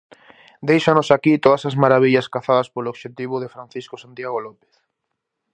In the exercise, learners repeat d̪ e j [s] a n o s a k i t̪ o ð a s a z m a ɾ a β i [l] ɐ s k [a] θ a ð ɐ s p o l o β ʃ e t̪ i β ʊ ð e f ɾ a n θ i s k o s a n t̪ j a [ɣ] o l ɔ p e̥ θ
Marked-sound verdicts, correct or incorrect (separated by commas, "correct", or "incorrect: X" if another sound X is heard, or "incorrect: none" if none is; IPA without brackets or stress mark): incorrect: ʃ, incorrect: ʎ, correct, correct